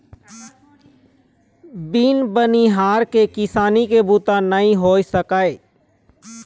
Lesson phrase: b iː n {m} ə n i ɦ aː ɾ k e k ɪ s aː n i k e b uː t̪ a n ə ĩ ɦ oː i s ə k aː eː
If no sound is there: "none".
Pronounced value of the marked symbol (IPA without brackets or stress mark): b